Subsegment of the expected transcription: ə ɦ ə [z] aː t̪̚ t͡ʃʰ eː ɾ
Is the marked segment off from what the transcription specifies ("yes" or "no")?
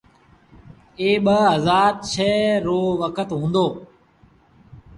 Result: no